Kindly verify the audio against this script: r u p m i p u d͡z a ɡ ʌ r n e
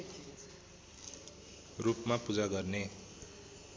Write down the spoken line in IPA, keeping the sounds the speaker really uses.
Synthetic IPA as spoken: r u p m a p u d͡z a ɡ ʌ r n e